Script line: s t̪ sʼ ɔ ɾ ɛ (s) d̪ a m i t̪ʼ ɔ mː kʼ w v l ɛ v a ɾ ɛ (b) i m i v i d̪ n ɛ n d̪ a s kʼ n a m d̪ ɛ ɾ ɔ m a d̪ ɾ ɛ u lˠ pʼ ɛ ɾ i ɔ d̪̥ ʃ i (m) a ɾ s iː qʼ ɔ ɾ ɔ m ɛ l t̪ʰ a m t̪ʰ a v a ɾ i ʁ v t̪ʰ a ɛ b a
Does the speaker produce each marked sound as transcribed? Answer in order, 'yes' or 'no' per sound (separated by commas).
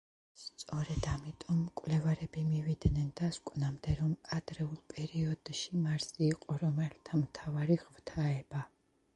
no, yes, yes